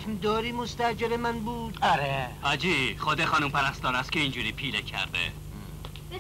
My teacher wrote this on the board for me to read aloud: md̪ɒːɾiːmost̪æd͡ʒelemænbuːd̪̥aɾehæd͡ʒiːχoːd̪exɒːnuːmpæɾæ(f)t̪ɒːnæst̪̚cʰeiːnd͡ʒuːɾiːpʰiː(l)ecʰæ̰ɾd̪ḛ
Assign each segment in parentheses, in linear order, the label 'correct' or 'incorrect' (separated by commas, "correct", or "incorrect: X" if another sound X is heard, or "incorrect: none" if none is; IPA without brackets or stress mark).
incorrect: s, correct